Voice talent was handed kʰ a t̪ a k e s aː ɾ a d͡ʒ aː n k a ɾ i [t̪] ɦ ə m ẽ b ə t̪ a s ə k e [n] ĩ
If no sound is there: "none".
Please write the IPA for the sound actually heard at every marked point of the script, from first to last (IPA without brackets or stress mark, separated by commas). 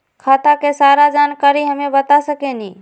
none, n